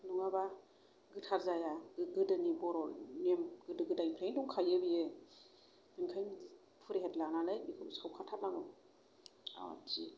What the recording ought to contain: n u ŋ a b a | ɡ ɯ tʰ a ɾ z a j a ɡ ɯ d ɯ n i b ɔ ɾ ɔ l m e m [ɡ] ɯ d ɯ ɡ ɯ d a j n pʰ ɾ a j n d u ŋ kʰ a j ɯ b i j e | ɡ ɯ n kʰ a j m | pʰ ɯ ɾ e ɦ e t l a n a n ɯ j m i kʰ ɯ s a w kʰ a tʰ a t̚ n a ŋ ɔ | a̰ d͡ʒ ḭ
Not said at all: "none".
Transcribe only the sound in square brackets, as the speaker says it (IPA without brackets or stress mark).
ɡ